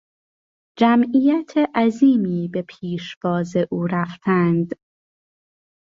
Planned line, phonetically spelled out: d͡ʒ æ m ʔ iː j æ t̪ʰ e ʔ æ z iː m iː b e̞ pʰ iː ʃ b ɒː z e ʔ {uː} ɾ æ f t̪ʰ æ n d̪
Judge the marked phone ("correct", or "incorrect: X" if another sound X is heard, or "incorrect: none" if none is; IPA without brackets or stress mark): correct